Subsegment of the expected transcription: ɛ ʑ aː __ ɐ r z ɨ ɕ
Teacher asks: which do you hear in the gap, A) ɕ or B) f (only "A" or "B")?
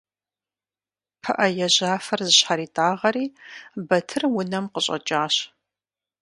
B